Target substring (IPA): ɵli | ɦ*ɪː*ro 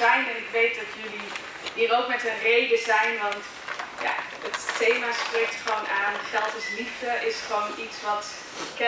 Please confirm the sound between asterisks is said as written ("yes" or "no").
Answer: no